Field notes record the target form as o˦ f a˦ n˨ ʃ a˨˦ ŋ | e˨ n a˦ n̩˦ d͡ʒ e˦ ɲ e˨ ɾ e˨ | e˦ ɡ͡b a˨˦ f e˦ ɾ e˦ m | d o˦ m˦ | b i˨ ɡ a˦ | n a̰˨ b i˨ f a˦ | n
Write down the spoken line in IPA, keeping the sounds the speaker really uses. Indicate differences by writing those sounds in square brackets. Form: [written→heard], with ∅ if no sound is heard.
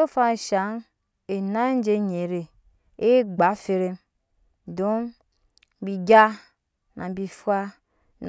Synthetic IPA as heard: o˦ f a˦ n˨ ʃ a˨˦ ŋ | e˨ n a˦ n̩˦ d͡ʒ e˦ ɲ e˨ ɾ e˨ | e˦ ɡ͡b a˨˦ f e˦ ɾ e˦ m | d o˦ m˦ | b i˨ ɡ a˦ | n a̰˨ b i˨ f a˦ | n